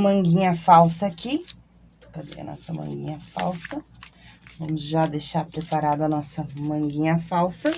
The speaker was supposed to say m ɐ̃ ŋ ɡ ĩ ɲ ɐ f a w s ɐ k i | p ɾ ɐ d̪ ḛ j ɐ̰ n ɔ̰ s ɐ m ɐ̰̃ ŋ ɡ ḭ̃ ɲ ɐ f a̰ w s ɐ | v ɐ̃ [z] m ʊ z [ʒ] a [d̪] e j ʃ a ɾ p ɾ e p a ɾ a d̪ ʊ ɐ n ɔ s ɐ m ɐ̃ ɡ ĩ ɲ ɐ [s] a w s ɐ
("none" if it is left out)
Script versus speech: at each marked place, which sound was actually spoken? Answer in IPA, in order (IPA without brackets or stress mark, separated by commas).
none, ʒ, d̪, f